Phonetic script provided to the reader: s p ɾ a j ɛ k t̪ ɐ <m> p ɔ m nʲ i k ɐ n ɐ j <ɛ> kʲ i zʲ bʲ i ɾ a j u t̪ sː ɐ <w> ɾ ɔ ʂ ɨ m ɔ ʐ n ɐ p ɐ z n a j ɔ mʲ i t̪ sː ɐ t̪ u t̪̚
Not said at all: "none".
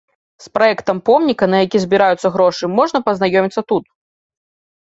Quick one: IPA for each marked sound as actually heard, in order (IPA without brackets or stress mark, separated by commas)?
m, a, ɣ